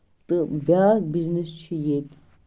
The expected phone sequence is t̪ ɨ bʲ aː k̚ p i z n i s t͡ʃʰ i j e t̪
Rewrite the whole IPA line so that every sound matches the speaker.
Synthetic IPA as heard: t̪ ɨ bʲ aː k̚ b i z n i s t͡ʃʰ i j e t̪